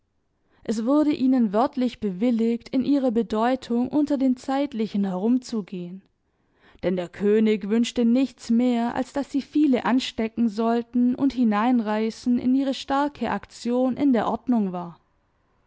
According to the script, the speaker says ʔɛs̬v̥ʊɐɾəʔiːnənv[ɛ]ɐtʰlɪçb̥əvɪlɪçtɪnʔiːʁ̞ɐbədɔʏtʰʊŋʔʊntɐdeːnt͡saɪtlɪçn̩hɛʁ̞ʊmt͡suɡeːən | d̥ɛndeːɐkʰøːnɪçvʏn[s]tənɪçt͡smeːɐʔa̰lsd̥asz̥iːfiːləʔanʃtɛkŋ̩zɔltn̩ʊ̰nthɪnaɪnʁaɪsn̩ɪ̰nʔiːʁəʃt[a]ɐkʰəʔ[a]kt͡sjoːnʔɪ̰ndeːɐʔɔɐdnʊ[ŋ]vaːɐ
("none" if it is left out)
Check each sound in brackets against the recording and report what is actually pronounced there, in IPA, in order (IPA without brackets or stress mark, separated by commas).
œ, ʃ, a, a, ŋ